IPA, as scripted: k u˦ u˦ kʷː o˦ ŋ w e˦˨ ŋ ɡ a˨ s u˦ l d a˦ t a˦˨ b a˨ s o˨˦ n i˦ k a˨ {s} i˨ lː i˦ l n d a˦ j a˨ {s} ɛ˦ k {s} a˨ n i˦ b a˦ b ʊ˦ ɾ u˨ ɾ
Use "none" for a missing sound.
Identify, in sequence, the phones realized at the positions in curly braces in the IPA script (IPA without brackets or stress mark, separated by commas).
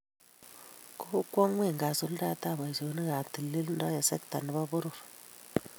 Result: t, s, t